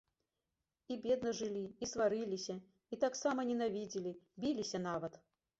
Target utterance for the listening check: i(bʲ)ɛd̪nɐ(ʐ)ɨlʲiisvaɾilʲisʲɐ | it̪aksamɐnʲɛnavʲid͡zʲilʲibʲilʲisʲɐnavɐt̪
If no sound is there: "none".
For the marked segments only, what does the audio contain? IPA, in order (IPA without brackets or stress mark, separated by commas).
bʲ, ʐ